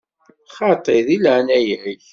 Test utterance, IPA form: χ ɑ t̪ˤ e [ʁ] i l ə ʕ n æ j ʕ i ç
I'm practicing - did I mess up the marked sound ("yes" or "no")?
yes